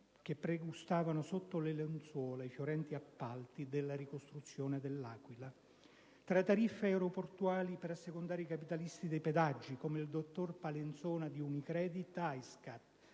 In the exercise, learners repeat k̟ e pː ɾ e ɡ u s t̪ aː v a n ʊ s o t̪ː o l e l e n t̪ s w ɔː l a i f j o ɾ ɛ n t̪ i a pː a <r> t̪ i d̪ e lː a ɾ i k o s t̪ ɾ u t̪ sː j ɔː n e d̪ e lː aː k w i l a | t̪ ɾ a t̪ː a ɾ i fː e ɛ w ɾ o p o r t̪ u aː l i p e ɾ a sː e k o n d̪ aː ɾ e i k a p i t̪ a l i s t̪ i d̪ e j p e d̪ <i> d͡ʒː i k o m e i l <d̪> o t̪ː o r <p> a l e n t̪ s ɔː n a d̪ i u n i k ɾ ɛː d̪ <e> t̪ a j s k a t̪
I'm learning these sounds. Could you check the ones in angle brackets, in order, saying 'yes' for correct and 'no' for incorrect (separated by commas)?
no, no, yes, yes, no